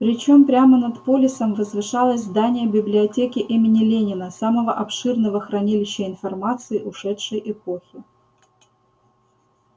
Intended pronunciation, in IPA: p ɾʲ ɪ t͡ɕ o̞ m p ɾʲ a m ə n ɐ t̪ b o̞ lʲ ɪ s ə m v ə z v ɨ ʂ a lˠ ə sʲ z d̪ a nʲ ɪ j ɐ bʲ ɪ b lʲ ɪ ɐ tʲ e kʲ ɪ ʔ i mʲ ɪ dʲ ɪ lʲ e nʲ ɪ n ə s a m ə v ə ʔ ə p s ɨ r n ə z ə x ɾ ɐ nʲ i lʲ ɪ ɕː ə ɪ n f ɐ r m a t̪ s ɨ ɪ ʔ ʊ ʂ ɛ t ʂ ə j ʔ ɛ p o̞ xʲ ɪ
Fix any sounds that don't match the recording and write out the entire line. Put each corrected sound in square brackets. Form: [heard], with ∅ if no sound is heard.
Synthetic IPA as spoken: p ɾʲ ɪ t͡ɕ o̞ m p ɾʲ a m ə n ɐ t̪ [p] o̞ lʲ ɪ s ə m v ə z v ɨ ʂ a lˠ ə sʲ z d̪ a nʲ ɪ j [ə] bʲ ɪ b lʲ ɪ ɐ tʲ e kʲ ɪ ʔ i mʲ ɪ [nʲ] ɪ lʲ e nʲ ɪ n ə s a m ə v ə ʔ [ɐ] p [ʂ] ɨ r n ə [v] ə x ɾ ɐ nʲ i lʲ ɪ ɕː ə ɪ n f ɐ r m a t̪ s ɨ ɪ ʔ ʊ ʂ ɛ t ʂ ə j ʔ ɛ p o̞ xʲ ɪ